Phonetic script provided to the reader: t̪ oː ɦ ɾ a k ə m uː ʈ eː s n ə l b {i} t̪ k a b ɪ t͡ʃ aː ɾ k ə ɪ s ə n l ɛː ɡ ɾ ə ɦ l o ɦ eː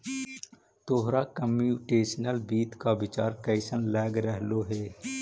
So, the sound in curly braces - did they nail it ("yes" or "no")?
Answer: no